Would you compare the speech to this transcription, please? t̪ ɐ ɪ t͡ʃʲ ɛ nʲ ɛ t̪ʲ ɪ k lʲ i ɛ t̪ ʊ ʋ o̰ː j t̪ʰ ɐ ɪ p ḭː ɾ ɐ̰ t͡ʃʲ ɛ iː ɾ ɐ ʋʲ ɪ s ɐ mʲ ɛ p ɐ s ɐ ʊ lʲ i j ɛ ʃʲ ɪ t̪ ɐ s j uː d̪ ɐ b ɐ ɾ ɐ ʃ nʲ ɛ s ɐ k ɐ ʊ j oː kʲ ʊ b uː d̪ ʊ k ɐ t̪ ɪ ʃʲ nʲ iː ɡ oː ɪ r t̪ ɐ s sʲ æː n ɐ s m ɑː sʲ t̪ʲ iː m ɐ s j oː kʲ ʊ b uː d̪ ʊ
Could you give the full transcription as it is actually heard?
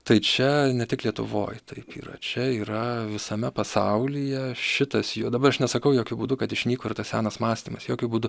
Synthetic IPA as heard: t̪ ɐ ɪ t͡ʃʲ ɛ nʲ ɛ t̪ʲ ɪ k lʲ i ɛ t̪ ʊ ʋ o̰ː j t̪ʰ ɐ ɪ p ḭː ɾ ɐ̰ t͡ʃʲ ɛ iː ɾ ɐ ʋʲ ɪ s ɐ mʲ ɛ p ɐ s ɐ ʊ lʲ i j ɛ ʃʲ ɪ t̪ ɐ s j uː d̪ ɐ b ɐ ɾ ɐ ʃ nʲ ɛ s ɐ k ɐ ʊ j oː kʲ ʊ b uː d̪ ʊ k ɐ t̪ ɪ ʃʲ nʲ iː k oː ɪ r t̪ ɐ s sʲ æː n ɐ s m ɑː sʲ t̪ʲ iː m ɐ s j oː kʲ ʊ b uː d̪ ʊ

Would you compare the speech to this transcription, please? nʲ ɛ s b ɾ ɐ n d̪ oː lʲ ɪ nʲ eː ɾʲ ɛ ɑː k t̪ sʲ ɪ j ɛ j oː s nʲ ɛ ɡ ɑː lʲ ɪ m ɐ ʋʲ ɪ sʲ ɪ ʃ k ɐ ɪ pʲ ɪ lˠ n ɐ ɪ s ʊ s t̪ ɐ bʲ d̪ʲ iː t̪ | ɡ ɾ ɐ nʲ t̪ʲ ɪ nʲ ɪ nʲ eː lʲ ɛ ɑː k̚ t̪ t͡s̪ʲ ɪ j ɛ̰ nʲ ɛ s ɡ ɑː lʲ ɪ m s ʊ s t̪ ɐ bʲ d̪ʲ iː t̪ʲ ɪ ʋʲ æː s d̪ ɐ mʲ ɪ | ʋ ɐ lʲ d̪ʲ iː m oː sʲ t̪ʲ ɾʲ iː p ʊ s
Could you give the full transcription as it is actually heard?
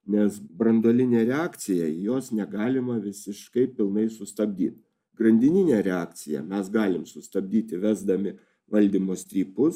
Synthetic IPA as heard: nʲ ɛ s b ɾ ɐ n d̪ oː lʲ ɪ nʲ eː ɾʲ ɛ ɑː k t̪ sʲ ɪ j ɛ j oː s nʲ ɛ ɡ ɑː lʲ ɪ m ɐ ʋʲ ɪ sʲ ɪ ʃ k ɐ ɪ pʲ ɪ lˠ n ɐ ɪ s ʊ s t̪ ɐ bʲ d̪ʲ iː t̪ | ɡ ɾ ɐ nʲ d̪ʲ ɪ nʲ ɪ nʲ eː ɾʲ ɛ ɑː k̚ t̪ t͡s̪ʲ ɪ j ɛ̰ mʲ ɛ s ɡ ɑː lʲ ɪ m s ʊ s t̪ ɐ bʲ d̪ʲ iː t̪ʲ ɪ ʋʲ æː z d̪ ɐ mʲ ɪ | ʋ ɐ lʲ d̪ʲ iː m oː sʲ t̪ʲ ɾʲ iː p ʊ s

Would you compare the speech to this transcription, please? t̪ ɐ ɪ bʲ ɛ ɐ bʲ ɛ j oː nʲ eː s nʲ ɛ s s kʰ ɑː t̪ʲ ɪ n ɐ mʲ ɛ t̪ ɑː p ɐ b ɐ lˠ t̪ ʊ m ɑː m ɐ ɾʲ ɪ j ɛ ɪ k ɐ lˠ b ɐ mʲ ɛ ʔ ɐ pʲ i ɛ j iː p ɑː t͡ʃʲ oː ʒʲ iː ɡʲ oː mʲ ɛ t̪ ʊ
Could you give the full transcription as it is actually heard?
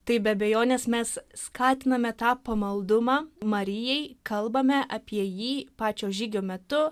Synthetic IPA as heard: t̪ ɐ ɪ bʲ ɛ ɐ bʲ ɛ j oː nʲ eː s mʲ ɛ s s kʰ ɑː t̪ʲ ɪ n ɐ mʲ ɛ t̪ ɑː p ɐ m ɐ lˠ d̪ ʊ m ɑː m ɐ ɾʲ ɪ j ɛ ɪ k ɐ lˠ b ɐ mʲ ɛ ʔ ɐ pʲ i ɛ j iː p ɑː t͡ʃʲ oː ʒʲ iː ɡʲ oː mʲ ɛ t̪ ʊ

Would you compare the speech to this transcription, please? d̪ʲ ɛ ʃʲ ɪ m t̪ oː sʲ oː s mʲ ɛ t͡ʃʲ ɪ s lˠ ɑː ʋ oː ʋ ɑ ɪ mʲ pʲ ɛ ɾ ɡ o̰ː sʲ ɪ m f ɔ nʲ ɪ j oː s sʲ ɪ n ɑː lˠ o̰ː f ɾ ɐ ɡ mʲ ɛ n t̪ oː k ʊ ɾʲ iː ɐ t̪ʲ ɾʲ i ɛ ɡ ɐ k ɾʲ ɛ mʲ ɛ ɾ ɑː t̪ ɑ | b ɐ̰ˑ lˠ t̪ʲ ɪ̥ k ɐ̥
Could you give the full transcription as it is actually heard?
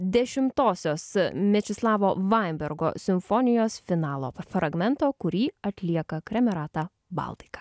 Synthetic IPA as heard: d̪ʲ ɛ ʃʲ ɪ m t̪ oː sʲ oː s mʲ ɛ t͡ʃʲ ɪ s lˠ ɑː ʋ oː ʋ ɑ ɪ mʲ bʲ ɛ ɾ ɡ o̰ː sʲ ɪ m f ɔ nʲ ɪ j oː s fʲ ɪ n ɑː lˠ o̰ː f ɾ ɐ ɡ mʲ ɛ n t̪ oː k ʊ ɾʲ iː ɐ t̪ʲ lʲ i ɛ k ɐ k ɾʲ ɛ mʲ ɛ ɾ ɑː t̪ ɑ | b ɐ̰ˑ lˠ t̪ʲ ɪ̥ k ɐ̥

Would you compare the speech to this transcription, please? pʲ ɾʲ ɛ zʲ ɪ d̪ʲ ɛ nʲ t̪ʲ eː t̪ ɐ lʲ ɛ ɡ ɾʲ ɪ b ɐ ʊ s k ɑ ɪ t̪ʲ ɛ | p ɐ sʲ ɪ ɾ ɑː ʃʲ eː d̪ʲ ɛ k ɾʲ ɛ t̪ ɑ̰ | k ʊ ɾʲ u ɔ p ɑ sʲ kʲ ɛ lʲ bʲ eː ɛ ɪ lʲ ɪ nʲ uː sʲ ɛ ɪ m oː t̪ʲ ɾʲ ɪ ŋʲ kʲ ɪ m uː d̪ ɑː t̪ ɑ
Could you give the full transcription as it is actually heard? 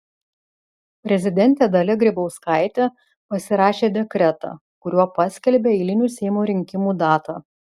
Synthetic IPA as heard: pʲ ɾʲ ɛ zʲ ɪ d̪ʲ ɛ nʲ t̪ʲ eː d̪ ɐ lʲ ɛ ɡ ɾʲ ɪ b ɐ ʊ s k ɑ ɪ t̪ʲ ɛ | p ɐ sʲ ɪ ɾ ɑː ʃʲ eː d̪ʲ ɛ k ɾʲ ɛ t̪ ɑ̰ | k ʊ ɾʲ u ɔ p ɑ sʲ kʲ ɛ lʲ bʲ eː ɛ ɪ lʲ ɪ nʲ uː sʲ ɛ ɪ m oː ɾʲ ɪ ŋʲ kʲ ɪ m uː d̪ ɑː t̪ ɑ

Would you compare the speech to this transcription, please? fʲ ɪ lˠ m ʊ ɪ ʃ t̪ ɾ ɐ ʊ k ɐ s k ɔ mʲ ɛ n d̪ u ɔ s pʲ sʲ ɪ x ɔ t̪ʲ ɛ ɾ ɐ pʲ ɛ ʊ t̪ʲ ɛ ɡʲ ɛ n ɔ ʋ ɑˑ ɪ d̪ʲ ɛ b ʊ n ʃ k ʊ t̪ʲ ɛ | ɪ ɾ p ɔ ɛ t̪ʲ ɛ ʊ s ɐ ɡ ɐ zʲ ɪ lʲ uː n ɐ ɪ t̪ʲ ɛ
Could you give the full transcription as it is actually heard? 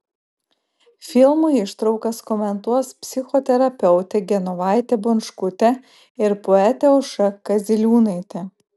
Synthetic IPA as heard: fʲ ɪ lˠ m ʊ ɪ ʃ t̪ ɾ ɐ ʊ k ɐ s k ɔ mʲ ɛ n t̪ u ɔ s pʲ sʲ ɪ x ɔ t̪ʲ ɛ ɾ ɐ pʲ ɛ ʊ t̪ʲ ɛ ɡʲ ɛ n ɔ ʋ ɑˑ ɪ t̪ʲ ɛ b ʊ n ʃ k ʊ t̪ʲ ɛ | ɪ ɾ p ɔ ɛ t̪ʲ ɛ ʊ ʃ ɐ k ɐ zʲ ɪ lʲ uː n ɐ ɪ t̪ʲ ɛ

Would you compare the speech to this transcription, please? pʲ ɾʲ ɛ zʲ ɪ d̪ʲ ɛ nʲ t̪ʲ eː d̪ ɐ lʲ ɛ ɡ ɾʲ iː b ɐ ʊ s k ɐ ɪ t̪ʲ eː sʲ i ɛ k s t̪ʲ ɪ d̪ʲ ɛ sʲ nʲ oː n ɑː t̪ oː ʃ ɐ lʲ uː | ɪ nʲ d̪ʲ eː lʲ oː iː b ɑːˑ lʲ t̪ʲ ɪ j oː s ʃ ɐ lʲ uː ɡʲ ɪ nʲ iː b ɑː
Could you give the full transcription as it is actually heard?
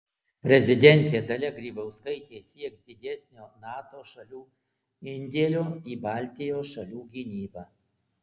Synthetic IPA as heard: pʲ ɾʲ ɛ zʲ ɪ d̪ʲ ɛ nʲ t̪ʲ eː d̪ ɐ lʲ ɛ ɡ ɾʲ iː b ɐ ʊ s k ɐ ɪ t̪ʲ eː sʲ i ɛ k s d̪ʲ ɪ d̪ʲ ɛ sʲ nʲ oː n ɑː t̪ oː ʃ ɐ lʲ uː | ɪ nʲ d̪ʲ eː lʲ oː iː b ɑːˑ lʲ t̪ʲ ɪ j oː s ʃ ɐ lʲ uː ɡʲ ɪ nʲ iː b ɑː

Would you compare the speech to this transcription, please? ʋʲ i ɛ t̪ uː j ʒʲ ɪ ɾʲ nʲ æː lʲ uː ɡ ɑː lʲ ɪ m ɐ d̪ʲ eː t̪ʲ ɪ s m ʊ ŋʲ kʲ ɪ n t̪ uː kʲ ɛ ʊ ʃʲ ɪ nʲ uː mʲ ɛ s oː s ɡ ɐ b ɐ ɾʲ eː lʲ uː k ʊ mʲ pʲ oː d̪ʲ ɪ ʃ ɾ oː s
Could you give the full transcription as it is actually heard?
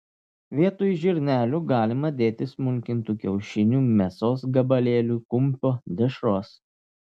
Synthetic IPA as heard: ʋʲ i ɛ t̪ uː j ʒʲ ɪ ɾʲ nʲ æː lʲ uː ɡ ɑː lʲ ɪ m ɐ d̪ʲ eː t̪ʲ ɪ s m ʊ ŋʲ kʲ ɪ n t̪ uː kʲ ɛ ʊ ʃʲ ɪ nʲ uː mʲ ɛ s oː s ɡ ɐ b ɐ lʲ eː lʲ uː k ʊ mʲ pʲ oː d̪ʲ ɪ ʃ ɾ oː s

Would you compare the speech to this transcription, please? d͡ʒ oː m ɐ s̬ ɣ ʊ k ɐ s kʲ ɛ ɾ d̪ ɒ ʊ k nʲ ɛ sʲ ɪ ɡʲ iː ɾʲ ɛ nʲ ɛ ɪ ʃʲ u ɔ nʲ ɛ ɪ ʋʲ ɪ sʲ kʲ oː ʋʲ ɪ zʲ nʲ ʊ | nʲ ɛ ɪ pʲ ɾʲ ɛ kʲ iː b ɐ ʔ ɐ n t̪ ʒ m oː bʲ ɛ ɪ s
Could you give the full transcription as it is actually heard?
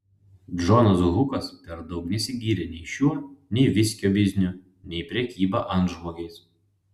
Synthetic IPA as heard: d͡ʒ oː n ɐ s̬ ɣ ʊ k ɐ s pʲ ɛ ɾ d̪ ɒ ʊ k nʲ ɛ sʲ ɪ ɡʲ iː ɾʲ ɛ nʲ ɛ ɪ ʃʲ u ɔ nʲ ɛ ɪ ʋʲ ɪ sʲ kʲ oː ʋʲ ɪ zʲ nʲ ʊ | nʲ ɛ ɪ pʲ ɾʲ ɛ kʲ iː b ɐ ʔ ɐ n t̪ ʒ m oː ɡʲ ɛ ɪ s

